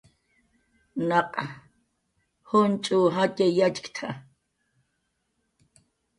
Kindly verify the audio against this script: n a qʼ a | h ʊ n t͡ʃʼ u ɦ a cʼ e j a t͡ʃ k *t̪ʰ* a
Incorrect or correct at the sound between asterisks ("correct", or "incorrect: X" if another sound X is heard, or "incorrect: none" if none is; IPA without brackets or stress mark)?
correct